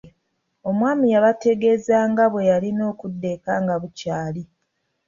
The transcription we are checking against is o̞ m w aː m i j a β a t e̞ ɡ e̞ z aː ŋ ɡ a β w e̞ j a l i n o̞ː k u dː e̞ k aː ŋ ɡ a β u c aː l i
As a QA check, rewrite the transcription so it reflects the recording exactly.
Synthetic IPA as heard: o̞ m w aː m i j a β a t e̞ ɡ e̞ z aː ŋ ɡ a β w e̞ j a l i n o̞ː k u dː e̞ k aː ŋ ɡ a β u c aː l i